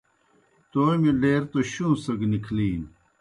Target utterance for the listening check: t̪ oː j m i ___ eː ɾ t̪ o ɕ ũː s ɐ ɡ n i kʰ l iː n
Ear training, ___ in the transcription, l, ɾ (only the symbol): l